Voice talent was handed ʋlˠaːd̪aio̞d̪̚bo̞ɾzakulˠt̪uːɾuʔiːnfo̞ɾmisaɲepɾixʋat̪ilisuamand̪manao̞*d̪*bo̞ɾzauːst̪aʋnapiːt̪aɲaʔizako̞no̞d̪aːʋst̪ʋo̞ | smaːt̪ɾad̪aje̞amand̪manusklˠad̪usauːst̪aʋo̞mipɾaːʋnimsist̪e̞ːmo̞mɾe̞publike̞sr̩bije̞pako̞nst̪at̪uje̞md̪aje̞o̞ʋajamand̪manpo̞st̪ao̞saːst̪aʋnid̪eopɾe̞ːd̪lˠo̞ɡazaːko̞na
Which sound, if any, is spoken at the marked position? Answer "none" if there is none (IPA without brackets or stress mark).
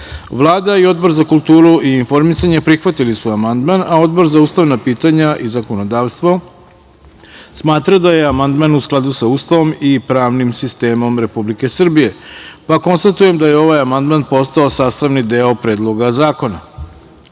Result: d̪